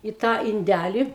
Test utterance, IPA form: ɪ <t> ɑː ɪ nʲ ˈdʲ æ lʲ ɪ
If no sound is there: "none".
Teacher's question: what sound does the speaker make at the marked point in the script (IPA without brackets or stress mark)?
t